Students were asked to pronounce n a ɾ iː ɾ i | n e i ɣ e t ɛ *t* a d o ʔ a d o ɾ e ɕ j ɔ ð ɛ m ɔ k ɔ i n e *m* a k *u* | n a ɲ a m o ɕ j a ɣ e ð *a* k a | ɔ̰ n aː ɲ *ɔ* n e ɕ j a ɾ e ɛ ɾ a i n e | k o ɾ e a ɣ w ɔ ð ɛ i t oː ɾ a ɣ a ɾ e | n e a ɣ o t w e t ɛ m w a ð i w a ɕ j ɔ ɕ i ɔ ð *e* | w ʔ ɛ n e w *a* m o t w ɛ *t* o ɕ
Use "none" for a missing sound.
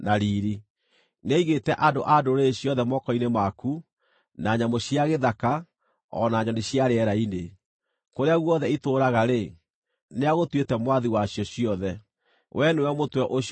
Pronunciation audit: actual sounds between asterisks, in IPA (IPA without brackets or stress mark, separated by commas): ʔ, m, u, a, ɔ, ɛ, ɛ, ʔ